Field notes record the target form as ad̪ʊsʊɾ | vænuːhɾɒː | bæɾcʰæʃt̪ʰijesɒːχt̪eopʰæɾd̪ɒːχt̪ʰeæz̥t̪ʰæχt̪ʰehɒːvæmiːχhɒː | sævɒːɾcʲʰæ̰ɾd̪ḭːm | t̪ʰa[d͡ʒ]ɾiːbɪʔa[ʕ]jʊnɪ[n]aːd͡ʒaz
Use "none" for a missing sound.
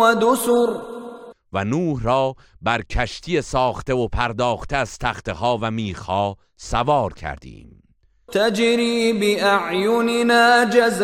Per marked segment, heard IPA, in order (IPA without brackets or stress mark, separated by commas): d͡ʒ, ʕ, n